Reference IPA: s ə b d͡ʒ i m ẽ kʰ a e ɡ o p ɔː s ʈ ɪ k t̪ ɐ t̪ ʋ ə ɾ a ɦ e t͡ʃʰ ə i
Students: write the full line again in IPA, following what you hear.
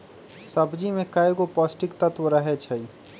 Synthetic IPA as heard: s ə b d͡ʒ i m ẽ k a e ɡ o p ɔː s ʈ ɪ k t̪ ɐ t̪ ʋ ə ɾ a ɦ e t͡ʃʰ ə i